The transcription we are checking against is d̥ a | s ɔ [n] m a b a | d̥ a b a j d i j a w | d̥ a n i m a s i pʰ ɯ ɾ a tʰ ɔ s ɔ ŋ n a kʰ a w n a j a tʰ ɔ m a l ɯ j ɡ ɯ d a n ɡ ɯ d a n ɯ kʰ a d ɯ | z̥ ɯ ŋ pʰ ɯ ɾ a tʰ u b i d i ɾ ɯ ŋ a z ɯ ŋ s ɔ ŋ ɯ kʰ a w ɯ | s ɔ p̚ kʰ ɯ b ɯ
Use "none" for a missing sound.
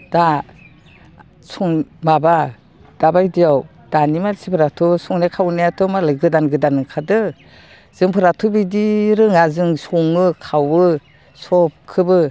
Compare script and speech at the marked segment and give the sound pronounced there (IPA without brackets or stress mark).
ŋ